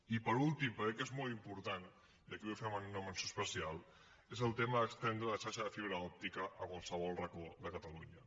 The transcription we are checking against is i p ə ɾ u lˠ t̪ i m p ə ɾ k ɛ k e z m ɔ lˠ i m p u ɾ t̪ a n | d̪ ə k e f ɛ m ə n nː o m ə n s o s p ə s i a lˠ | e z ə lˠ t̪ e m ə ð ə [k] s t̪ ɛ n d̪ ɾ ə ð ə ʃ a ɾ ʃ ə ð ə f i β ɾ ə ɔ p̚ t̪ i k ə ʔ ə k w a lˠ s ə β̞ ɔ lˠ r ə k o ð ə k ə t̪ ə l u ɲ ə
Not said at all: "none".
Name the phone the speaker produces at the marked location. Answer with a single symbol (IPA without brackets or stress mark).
k